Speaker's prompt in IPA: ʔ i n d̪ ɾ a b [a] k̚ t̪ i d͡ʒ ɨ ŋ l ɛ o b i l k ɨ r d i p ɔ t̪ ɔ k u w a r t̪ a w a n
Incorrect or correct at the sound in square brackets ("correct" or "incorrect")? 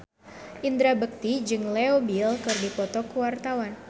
incorrect